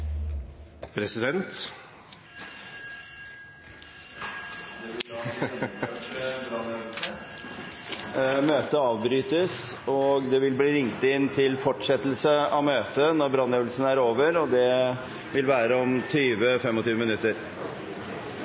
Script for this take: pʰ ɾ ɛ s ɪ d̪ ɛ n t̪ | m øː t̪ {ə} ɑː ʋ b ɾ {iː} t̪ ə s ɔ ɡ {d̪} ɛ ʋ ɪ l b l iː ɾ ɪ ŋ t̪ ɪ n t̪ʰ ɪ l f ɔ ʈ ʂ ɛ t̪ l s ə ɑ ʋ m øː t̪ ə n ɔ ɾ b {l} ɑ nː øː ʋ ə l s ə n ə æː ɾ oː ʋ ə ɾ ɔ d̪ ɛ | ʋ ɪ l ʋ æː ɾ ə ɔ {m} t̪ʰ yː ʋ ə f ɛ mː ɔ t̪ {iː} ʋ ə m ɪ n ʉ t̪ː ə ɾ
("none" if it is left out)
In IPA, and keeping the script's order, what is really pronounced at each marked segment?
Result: ə, yː, d̪, ɾ, m, yː

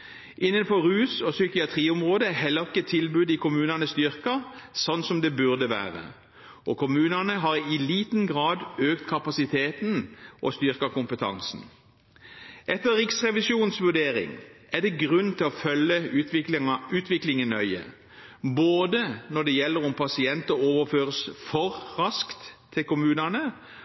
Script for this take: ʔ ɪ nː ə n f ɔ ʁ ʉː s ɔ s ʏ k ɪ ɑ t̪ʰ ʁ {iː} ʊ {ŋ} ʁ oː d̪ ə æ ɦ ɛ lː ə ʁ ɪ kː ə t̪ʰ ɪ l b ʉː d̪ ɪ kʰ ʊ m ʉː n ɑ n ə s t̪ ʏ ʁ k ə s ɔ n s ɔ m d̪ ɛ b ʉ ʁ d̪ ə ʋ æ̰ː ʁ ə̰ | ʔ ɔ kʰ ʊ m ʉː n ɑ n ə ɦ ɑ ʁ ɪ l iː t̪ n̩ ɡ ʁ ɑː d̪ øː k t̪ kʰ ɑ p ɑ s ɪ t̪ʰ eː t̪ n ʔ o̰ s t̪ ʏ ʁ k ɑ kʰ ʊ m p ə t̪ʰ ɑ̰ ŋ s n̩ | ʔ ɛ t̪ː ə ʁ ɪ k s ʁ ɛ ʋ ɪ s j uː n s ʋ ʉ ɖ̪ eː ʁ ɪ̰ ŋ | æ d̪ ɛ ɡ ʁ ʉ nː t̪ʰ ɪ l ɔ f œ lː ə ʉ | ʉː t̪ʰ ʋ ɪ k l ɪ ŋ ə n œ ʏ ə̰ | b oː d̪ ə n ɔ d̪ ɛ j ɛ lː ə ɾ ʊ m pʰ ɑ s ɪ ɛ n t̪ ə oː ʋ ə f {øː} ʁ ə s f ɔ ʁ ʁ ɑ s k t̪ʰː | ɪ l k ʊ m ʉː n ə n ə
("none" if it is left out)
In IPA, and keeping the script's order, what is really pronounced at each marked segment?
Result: iː, m, øː

